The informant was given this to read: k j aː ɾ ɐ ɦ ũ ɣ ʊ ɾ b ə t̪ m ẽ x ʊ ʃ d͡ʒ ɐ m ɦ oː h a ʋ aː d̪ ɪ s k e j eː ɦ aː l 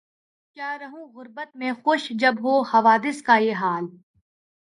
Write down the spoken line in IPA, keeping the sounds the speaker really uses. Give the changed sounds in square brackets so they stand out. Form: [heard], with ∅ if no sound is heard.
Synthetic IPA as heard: k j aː ɾ ɐ ɦ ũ ɣ ʊ ɾ b ə t̪ m ẽ x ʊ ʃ d͡ʒ ɐ [b] ɦ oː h [ɐ] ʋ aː d̪ ɪ s k [a] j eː ɦ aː l

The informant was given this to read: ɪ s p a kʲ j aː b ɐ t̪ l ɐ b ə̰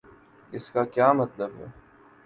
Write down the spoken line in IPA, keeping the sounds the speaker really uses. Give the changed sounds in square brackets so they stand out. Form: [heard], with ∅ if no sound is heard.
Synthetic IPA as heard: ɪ s [k] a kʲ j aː [m] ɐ t̪ l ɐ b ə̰

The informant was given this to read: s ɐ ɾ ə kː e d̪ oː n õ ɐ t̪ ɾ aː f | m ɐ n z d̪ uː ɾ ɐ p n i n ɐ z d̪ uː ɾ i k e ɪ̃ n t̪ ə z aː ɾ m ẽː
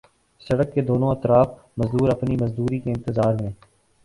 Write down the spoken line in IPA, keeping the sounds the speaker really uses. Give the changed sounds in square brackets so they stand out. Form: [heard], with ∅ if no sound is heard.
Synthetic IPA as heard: s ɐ [ɽ] ə kː e d̪ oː n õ ɐ t̪ ɾ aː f | m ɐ [∅] z d̪ uː ɾ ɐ p n i [m] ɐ z d̪ uː ɾ i k e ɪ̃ n t̪ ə z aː ɾ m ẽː

